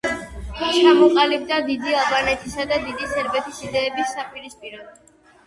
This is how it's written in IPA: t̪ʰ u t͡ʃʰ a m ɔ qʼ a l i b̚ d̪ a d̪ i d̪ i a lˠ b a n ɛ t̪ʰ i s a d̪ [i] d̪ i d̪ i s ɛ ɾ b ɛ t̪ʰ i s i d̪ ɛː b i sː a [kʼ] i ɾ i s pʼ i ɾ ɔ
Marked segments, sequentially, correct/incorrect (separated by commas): incorrect, incorrect